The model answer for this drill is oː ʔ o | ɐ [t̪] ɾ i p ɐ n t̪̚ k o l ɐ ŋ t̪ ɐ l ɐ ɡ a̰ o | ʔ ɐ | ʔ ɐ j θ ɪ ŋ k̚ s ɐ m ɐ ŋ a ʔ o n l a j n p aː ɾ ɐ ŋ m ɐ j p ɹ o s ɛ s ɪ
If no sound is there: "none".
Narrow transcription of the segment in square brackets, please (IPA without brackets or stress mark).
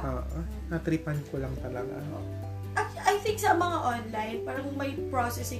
t̪